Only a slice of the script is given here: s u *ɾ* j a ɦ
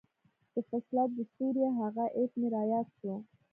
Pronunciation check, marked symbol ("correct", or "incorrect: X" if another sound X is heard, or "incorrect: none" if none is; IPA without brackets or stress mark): correct